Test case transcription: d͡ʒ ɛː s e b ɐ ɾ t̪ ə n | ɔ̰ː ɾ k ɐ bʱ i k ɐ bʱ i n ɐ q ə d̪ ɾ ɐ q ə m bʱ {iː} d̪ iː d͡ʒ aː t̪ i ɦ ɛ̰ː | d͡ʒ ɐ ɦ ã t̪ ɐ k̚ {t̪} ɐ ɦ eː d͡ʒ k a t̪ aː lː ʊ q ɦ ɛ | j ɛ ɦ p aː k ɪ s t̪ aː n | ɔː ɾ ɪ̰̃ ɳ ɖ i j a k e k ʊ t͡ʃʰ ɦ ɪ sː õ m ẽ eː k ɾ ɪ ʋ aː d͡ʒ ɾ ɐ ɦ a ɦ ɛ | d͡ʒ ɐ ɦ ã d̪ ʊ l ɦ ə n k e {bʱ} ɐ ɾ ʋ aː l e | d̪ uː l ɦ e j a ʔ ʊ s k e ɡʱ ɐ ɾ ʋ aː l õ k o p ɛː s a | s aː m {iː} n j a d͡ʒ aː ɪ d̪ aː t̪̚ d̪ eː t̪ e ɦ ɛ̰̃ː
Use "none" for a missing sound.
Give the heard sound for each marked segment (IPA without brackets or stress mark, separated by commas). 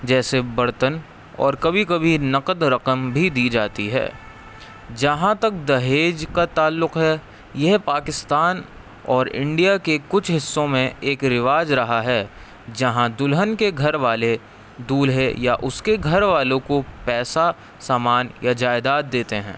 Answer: i, d̪, ɡʱ, aː